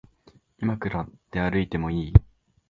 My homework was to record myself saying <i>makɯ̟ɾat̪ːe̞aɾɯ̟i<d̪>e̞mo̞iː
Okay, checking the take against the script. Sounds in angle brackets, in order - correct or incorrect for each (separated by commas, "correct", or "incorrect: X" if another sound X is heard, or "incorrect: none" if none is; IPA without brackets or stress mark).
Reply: correct, incorrect: t̪